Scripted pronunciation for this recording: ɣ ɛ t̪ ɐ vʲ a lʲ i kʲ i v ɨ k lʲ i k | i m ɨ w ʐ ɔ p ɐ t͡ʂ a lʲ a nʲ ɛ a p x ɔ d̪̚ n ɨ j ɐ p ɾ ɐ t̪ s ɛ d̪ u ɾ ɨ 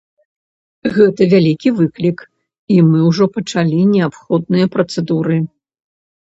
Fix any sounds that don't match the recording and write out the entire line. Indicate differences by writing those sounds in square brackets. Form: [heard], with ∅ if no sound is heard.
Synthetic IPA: ɣ ɛ t̪ ɐ vʲ a lʲ i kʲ i v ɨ k lʲ i k | i m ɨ w ʐ ɔ p ɐ t͡ʂ a lʲ [i] nʲ ɛ a p x ɔ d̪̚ n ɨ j ɐ p ɾ ɐ t̪ s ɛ d̪ u ɾ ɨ